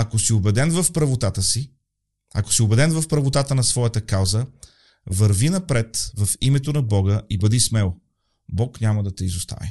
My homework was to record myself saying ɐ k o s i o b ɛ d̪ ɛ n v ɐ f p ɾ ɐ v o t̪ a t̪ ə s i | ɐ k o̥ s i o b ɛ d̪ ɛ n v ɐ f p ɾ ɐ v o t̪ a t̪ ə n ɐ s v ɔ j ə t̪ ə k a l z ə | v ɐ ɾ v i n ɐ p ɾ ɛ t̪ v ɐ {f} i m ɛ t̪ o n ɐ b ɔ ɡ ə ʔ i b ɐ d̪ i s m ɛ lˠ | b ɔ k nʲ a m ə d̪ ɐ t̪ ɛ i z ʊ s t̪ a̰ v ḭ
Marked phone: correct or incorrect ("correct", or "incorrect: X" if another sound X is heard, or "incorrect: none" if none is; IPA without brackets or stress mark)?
correct